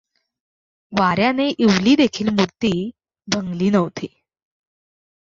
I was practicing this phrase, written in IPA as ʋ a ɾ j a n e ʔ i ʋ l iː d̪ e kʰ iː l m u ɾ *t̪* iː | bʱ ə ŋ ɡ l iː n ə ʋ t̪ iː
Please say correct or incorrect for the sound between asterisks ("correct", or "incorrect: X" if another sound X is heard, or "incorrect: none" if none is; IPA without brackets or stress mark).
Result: correct